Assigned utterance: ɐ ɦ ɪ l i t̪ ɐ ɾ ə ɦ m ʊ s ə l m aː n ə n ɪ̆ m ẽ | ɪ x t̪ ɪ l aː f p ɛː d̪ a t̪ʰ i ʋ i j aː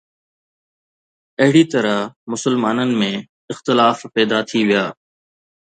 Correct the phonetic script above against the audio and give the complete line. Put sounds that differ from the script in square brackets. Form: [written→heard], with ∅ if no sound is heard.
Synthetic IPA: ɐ ɦ ɪ [l→ɽ] i t̪ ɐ ɾ ə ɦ m ʊ s ə l m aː n ə n ɪ̆ m ẽ | ɪ x t̪ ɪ l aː f p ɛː d̪ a t̪ʰ i ʋ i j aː